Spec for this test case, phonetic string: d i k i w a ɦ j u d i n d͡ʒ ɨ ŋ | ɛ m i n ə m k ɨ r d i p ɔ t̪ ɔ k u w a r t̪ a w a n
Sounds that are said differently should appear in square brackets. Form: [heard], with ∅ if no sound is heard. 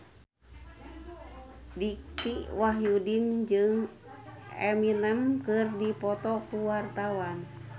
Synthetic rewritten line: d i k i w a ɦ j u d i n d͡ʒ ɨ ŋ | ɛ m i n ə m k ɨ r d i p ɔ t̪ ɔ k u w a r t̪ a w a n